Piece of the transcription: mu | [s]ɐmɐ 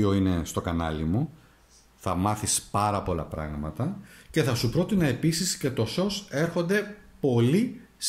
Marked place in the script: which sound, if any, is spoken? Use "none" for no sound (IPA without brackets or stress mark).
θ